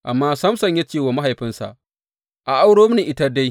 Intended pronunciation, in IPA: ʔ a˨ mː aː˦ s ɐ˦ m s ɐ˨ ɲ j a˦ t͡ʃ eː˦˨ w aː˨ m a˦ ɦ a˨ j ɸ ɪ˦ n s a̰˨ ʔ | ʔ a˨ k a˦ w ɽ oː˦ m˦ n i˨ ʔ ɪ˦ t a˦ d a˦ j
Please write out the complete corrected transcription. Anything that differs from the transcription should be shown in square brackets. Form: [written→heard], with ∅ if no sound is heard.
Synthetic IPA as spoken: ʔ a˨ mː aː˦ s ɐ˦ m s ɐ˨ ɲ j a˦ t͡ʃ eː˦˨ w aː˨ m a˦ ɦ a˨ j ɸ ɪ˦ n s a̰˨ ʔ | ʔ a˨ [k→ʔ] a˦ w ɽ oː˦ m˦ n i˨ ʔ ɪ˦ t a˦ d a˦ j